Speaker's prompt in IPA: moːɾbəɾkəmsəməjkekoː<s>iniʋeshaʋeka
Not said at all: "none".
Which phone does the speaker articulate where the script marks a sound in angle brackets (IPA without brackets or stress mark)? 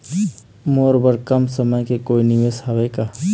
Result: none